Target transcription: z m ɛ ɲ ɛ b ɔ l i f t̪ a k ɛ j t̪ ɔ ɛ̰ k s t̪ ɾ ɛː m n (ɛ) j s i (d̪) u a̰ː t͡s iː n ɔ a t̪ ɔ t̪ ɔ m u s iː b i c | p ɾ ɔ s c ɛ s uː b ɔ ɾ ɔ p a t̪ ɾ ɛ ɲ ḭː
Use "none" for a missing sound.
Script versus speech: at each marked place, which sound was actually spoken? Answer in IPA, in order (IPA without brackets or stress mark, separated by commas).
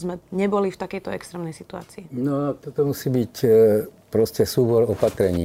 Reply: ɛ, t̪